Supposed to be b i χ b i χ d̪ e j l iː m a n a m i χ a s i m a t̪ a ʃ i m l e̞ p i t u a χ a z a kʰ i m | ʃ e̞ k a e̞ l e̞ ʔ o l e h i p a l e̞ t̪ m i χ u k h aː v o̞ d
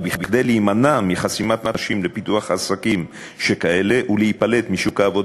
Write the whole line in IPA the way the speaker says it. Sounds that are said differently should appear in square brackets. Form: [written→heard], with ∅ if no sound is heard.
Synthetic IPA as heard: b i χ b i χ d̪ e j l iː m a n a m i χ a s i m a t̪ a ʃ i m l e̞ p i t u a χ a [z→s] a [kʰ→k] i m | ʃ e̞ k a e̞ l e̞ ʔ [o→u] l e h i p a l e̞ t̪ m i [χ→ʃ] u k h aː v o̞ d